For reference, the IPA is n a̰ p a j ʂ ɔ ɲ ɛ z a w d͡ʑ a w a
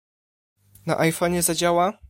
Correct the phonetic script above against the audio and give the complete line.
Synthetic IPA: n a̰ ʔ a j f ɔ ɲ ɛ z a d͡ʑ a w a